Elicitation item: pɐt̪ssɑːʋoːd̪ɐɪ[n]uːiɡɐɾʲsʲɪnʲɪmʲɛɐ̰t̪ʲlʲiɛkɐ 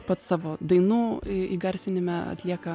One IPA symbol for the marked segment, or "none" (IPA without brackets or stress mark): n